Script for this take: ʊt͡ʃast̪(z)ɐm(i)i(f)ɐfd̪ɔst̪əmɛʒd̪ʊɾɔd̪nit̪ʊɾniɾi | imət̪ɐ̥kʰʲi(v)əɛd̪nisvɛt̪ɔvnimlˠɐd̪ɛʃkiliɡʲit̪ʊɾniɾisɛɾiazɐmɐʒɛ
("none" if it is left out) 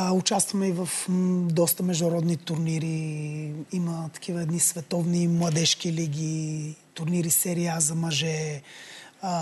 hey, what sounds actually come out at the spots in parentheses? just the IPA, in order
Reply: v, ɛ, v, v

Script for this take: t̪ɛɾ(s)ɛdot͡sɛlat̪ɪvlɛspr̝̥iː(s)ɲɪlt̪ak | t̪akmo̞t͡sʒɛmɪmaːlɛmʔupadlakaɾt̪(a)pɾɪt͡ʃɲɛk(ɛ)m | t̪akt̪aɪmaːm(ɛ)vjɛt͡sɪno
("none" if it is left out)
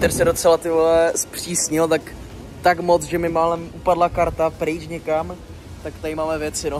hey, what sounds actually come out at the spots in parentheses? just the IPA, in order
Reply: s, s, a, a, ɛ

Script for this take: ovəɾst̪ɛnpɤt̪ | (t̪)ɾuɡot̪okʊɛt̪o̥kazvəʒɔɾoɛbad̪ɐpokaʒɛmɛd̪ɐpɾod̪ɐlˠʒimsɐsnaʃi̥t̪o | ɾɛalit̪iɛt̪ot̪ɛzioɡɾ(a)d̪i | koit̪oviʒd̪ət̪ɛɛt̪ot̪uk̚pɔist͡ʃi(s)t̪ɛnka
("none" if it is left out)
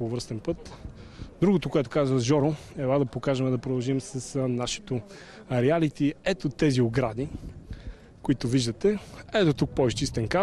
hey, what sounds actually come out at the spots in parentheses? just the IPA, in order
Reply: d̪, a, s

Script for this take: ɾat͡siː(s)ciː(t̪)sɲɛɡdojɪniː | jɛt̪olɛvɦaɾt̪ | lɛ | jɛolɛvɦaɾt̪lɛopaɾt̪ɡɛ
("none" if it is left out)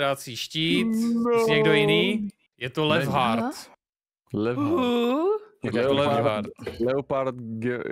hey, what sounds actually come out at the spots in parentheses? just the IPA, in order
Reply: ʃ, t̪

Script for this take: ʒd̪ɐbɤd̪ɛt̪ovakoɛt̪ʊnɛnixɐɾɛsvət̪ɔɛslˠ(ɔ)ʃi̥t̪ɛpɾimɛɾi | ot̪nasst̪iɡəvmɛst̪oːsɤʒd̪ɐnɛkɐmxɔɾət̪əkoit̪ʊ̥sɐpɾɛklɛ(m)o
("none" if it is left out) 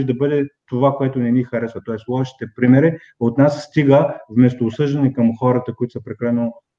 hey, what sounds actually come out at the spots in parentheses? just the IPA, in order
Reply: ɔ, n

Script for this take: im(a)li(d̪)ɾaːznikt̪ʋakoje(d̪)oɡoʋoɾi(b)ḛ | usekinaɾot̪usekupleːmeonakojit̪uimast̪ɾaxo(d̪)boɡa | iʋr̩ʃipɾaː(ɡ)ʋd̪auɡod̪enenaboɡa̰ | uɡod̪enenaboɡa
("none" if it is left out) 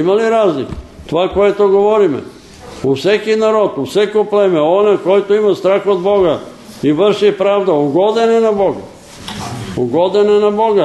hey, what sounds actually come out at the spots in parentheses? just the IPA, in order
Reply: a, none, t̪, m, d̪, none

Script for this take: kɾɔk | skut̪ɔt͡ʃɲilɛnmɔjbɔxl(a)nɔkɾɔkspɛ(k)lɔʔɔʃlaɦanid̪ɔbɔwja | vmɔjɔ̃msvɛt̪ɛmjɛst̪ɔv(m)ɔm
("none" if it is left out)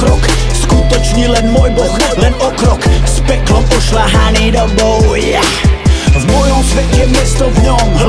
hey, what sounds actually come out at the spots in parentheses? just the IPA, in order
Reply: ɛ, k, ɲ

